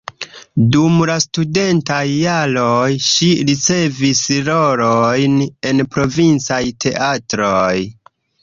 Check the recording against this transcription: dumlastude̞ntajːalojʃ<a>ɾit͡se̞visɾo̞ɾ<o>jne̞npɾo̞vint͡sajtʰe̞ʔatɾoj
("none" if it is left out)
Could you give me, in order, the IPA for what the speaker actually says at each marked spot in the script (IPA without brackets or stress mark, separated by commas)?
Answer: i, o